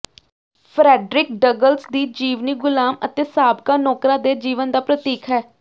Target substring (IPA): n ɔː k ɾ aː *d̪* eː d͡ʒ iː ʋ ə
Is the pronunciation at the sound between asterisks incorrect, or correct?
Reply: correct